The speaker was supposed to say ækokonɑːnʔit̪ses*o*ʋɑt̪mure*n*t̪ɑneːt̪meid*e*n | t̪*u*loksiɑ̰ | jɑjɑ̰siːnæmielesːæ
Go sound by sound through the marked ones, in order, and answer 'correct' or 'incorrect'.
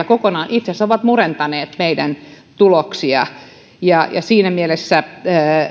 correct, correct, incorrect: æ, correct

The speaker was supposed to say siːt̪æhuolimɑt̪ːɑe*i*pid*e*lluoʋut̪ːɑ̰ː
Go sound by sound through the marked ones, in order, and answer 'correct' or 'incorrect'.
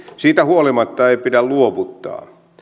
correct, incorrect: æ

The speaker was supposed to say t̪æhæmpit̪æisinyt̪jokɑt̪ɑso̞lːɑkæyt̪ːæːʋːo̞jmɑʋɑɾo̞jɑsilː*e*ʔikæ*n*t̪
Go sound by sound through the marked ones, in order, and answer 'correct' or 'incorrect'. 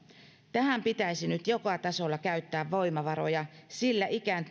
incorrect: æ, correct

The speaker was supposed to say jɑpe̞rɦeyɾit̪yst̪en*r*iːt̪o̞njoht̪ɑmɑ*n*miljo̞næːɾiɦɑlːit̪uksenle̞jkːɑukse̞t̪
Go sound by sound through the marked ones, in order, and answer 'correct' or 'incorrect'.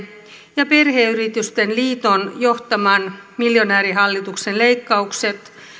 incorrect: l, correct

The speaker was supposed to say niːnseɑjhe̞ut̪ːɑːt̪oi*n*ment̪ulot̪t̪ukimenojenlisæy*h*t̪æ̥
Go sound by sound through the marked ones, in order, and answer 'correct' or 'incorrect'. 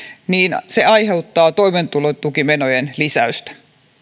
incorrect: none, incorrect: s

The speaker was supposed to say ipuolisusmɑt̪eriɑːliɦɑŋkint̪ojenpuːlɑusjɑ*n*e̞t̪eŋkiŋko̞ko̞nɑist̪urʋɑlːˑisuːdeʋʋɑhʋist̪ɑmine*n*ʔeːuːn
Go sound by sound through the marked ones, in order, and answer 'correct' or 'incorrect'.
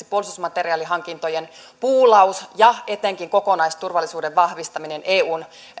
incorrect: none, correct

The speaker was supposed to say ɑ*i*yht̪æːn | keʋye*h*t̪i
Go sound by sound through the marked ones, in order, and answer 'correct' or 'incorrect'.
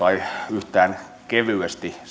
correct, incorrect: s

